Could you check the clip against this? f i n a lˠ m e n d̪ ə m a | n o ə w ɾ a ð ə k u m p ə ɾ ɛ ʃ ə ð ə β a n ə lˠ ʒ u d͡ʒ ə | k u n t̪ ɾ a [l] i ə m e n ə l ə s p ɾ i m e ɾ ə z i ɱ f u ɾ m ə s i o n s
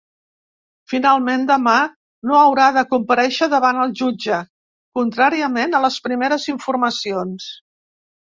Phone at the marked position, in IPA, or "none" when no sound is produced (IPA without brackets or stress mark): ɾ